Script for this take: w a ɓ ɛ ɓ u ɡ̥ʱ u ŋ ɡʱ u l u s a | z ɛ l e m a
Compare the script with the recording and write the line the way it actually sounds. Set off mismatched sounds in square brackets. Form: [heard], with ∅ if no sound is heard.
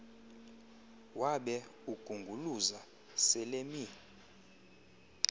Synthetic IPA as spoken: w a ɓ ɛ [∅] u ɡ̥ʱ u ŋ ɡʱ u l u [z] a | [s] ɛ l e m [i]